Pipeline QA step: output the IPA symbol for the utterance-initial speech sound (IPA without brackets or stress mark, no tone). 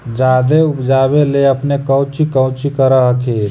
d͡ʒ